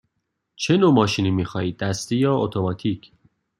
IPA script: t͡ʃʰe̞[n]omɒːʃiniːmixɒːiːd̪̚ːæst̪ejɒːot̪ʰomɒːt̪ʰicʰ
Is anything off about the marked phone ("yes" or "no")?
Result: no